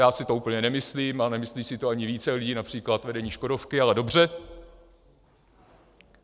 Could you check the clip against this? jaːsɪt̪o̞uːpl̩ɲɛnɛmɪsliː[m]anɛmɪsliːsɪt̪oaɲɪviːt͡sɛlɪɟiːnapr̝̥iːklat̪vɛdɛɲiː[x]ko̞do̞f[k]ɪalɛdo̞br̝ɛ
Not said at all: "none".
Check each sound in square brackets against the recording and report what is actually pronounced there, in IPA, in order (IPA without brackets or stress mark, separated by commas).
m, ʃ, k